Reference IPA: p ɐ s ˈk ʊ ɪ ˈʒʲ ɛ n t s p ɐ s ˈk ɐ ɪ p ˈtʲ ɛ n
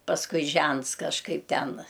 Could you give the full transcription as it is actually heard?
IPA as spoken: p ɐ s ˈk ʊ ɪ ˈʒʲ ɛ n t s k ɐ ʃ ˈk ɐ ɪ p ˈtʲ ɛ n